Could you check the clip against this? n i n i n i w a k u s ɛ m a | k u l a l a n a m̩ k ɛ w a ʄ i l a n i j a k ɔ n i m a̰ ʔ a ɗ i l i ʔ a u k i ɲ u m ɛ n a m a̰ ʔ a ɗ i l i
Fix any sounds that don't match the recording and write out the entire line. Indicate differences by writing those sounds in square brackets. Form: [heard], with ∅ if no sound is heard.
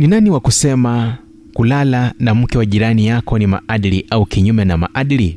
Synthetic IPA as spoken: n i n [a] n i w a k u s ɛ m a | k u l a l a n a m̩ k ɛ w a ʄ i [ɾ] a n i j a k ɔ n i m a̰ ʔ a ɗ i l i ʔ a u k i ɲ u m ɛ n a m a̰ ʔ a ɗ i l i